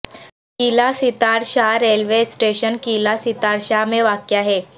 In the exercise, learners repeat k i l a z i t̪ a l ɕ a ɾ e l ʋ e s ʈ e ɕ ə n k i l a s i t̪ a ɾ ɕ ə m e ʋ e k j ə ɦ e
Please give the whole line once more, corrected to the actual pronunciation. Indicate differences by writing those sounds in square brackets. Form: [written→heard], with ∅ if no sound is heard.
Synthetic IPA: k i l a [z→s] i t̪ a [l→ɾ] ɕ a ɾ e l ʋ e s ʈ e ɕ ə n k i l a s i t̪ a ɾ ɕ [ə→a] m e ʋ [e→a] k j [ə→a] ɦ e